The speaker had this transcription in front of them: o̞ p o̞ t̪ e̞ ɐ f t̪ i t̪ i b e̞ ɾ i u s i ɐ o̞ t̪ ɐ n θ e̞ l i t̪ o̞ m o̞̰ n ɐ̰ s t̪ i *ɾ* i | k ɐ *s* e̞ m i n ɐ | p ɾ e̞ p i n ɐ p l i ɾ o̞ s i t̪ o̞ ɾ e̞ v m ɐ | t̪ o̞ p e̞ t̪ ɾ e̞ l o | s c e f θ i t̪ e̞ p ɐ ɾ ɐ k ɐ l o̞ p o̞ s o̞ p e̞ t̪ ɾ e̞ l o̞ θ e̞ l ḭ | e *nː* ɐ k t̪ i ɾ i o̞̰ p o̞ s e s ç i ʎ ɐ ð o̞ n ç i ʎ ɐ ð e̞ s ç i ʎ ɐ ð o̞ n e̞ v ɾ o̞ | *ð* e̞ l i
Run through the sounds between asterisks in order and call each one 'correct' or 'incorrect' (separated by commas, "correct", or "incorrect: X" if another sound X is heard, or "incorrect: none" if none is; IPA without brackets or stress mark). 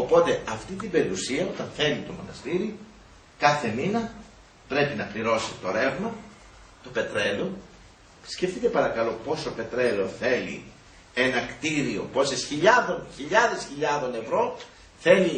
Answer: correct, incorrect: θ, incorrect: n, incorrect: θ